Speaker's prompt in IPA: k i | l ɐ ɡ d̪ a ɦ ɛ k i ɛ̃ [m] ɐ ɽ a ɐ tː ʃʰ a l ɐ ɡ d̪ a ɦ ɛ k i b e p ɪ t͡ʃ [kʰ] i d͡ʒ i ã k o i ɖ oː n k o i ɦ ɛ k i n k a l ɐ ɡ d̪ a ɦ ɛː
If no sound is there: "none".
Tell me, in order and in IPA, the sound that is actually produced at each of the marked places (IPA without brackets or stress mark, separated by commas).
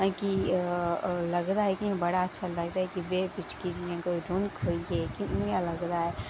b, k